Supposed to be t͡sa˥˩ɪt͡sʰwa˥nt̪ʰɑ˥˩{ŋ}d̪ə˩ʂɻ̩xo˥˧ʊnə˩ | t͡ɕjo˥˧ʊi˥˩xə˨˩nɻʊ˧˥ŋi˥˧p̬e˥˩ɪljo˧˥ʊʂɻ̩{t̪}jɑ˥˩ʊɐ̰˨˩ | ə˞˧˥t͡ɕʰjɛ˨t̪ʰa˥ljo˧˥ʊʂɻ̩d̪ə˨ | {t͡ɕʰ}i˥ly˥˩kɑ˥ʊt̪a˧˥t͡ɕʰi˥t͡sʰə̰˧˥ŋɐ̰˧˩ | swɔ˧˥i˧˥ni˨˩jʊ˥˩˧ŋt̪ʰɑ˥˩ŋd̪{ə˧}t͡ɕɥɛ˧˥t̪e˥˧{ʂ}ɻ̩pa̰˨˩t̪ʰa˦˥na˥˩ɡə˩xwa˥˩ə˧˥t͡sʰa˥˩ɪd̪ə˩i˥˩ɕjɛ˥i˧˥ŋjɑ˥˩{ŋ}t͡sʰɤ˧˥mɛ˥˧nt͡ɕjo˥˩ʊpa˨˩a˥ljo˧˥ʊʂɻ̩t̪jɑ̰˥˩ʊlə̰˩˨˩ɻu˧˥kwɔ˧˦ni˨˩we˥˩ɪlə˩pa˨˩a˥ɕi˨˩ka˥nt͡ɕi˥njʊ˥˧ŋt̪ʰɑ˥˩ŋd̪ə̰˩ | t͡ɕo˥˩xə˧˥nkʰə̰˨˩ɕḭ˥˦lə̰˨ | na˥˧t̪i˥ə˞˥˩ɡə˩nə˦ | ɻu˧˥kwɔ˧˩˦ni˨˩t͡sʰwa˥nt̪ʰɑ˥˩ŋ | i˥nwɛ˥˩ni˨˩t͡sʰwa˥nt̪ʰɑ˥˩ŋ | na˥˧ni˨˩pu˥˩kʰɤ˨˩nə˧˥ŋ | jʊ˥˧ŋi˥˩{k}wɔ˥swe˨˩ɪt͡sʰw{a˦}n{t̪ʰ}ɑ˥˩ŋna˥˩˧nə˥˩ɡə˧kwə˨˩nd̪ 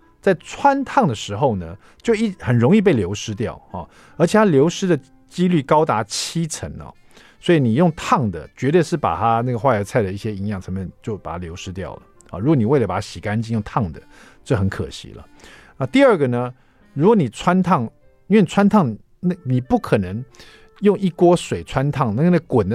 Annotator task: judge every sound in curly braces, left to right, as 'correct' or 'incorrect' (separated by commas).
correct, correct, incorrect, incorrect, correct, correct, correct, correct, correct